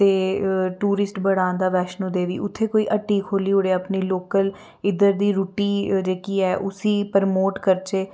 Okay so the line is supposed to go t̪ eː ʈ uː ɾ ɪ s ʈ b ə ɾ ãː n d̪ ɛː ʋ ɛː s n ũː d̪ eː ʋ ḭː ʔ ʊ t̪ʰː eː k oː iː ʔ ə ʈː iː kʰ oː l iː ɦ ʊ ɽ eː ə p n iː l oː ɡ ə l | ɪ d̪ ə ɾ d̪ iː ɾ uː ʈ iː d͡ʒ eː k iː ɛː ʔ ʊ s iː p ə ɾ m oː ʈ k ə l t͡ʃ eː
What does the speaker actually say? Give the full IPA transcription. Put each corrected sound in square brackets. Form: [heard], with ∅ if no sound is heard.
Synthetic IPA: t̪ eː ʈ uː ɾ ɪ s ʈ b ə [ɽ] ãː n d̪ [aː] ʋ ɛː [ʃ] n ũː d̪ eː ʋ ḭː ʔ ʊ t̪ʰː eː k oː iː ʔ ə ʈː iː kʰ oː l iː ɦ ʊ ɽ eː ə p n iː l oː [k] ə l | ɪ d̪ ə ɾ d̪ iː ɾ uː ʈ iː d͡ʒ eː k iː ɛː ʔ ʊ s iː p ə ɾ m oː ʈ k ə [ɾ] t͡ʃ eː